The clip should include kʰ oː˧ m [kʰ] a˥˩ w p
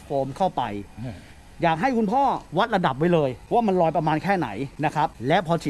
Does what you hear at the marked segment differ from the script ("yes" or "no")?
no